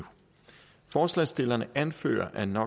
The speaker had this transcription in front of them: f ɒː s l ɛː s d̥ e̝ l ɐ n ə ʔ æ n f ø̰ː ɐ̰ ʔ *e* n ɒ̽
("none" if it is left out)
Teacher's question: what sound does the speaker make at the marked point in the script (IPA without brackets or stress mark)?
æ